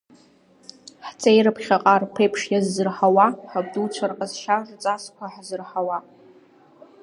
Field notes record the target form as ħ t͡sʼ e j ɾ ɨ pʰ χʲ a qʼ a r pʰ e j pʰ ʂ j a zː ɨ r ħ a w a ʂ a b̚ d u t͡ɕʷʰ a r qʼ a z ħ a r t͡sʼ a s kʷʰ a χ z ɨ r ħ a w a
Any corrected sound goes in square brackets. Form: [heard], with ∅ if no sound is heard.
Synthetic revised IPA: ħ t͡sʼ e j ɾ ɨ pʰ χʲ a qʼ a r pʰ e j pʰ ʂ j a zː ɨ r ħ a w a [ħ] a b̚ d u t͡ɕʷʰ a r qʼ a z [ʃ] a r t͡sʼ a s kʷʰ a [ħ] z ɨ r ħ a w a